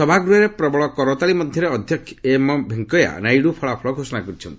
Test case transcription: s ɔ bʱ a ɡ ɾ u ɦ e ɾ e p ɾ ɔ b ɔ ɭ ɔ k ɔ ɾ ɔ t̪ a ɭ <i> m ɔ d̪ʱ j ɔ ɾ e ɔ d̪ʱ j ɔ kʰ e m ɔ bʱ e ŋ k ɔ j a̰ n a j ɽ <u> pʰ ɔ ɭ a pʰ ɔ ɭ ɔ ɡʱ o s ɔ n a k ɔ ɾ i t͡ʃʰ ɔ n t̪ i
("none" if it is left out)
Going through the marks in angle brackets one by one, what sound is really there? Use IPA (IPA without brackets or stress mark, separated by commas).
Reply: i, u